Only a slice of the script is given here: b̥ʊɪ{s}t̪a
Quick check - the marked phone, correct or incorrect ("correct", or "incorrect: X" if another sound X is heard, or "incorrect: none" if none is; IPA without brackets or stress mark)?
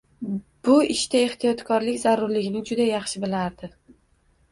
incorrect: ʃ